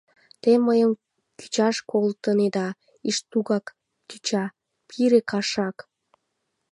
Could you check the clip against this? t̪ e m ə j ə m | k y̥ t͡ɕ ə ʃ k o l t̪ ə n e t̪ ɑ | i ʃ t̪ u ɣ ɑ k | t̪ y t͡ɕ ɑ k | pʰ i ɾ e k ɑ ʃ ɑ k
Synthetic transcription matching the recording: t̪ e m ə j ə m | k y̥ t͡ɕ ɑ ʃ k o l t̪ ə n e d̪ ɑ | i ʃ t̪ u ɣ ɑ k | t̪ y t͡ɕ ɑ | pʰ i ɾ e k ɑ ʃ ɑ k